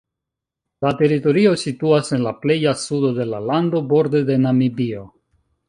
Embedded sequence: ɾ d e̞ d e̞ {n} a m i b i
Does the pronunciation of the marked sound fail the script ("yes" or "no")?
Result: no